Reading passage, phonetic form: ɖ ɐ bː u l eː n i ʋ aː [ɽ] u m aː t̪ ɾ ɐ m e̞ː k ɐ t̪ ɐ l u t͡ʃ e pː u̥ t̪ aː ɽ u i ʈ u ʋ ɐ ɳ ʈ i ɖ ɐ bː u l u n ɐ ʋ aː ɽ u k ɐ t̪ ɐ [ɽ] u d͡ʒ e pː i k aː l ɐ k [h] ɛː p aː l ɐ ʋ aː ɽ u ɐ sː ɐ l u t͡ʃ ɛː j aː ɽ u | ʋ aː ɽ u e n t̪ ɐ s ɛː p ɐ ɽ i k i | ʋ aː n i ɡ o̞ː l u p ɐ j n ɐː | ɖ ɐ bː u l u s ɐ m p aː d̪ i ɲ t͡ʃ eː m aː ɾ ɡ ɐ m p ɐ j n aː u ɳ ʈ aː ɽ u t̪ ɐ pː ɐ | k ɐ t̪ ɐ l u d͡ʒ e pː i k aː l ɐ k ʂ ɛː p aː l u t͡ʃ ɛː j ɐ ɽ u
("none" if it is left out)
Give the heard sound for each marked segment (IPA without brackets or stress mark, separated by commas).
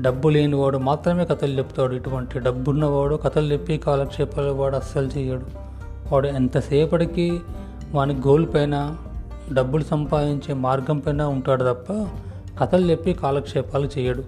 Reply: ɽ, l, ʂ